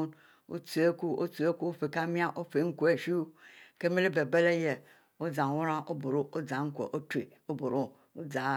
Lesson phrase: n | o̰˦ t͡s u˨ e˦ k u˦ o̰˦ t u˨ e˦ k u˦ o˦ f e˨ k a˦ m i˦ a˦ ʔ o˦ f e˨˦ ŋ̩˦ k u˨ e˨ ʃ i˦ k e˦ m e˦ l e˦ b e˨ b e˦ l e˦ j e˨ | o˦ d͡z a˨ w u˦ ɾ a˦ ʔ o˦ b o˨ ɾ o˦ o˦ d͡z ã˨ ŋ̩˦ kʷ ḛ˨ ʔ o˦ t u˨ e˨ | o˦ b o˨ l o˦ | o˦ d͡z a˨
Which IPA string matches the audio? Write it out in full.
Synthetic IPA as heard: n | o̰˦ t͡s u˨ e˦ k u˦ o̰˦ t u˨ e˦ k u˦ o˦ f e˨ k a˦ m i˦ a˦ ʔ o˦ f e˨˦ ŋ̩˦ k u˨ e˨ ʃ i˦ k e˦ m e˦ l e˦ b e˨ b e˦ l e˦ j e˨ | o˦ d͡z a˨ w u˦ ɾ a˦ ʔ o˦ b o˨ ɾ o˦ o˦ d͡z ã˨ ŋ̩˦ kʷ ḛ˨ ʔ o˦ t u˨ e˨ | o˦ b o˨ ɾ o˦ | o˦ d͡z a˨